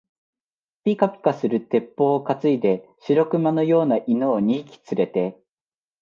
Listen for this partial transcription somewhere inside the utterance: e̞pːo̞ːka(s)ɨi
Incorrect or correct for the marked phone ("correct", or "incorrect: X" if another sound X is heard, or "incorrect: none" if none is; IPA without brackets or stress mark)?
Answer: incorrect: t͡s